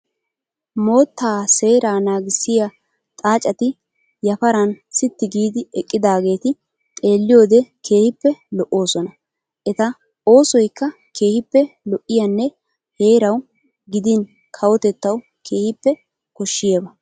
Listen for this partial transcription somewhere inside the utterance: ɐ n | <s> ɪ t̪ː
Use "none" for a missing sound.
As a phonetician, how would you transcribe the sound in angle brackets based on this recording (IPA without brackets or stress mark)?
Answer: s